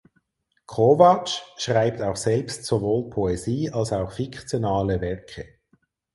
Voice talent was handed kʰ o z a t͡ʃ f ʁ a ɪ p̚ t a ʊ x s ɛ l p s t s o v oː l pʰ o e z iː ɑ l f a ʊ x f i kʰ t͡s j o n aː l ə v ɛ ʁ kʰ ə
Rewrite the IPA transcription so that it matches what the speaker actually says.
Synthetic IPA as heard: kʰ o v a t͡ʃ ʃ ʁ a ɪ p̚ t a ʊ x s ɛ l p s t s o v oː l pʰ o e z iː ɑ l s a ʊ x f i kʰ t͡s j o n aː l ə v ɛ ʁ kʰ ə